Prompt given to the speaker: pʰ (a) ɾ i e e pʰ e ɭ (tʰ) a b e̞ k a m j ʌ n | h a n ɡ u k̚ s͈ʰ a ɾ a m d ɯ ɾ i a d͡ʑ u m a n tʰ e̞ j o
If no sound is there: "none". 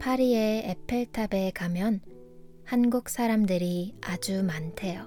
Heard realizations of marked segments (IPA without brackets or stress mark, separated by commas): a, tʰ